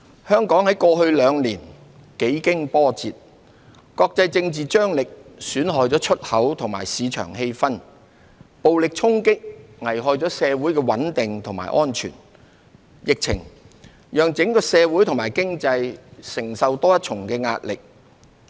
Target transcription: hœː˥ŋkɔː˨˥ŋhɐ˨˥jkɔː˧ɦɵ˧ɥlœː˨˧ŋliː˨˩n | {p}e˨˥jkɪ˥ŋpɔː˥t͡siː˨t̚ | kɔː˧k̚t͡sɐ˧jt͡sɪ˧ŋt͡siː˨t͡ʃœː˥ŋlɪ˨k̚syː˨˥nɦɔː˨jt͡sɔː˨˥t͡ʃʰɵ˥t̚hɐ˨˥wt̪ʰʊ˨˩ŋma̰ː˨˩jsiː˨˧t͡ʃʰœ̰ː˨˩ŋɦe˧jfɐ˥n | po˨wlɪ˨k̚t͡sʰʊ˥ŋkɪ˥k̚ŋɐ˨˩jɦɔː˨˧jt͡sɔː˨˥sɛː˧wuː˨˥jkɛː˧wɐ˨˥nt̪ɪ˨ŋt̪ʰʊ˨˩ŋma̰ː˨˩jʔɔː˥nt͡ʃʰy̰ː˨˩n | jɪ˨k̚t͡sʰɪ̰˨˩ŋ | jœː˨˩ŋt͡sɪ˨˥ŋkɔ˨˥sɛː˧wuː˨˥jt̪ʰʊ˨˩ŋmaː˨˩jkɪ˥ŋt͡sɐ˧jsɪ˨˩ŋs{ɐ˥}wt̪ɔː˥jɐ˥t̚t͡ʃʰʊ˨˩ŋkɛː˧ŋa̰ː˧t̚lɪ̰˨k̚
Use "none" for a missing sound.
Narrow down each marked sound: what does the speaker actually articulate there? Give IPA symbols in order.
k, ɐ˨

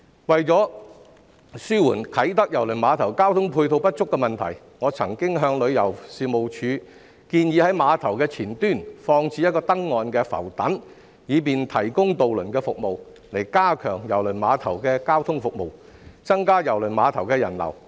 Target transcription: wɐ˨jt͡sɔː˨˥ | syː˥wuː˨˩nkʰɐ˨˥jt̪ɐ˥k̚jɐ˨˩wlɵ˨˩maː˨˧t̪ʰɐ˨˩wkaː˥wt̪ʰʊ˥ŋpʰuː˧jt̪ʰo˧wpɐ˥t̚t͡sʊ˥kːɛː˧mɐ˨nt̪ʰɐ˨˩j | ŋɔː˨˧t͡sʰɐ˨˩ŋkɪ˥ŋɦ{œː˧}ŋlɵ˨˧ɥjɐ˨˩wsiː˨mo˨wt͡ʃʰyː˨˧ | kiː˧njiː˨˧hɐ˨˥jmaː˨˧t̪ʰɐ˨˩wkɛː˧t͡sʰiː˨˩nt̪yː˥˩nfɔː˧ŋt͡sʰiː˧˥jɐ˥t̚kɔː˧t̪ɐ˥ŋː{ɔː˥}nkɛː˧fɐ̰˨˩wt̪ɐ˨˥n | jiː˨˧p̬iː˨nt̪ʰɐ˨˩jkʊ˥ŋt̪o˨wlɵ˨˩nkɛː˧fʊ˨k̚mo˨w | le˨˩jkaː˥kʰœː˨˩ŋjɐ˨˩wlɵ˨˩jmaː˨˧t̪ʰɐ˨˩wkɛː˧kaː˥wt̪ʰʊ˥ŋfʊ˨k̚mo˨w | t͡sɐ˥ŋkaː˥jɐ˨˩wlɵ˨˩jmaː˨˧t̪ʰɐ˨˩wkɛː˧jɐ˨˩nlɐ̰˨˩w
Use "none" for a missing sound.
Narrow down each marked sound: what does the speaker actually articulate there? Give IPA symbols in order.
œː˧, ɔː˨

